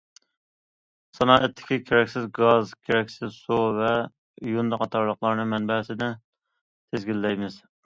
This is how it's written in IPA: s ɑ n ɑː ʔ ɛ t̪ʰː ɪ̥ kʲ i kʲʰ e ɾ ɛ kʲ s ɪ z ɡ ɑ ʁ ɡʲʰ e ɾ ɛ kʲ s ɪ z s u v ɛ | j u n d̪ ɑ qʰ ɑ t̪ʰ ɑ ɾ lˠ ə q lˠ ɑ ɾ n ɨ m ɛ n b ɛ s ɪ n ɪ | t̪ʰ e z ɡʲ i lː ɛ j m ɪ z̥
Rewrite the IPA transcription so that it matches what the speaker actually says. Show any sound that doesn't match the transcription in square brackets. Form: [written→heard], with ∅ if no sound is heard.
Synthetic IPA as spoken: s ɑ n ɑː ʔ ɛ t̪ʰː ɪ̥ kʲ i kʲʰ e ɾ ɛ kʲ s ɪ z ɡ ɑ [ʁ→z] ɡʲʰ e ɾ ɛ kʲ s ɪ z s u v ɛ | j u n d̪ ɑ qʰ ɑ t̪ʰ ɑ ɾ lˠ ə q lˠ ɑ ɾ n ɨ m ɛ n b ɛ s ɪ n ɪ | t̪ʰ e z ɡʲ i lː ɛ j m ɪ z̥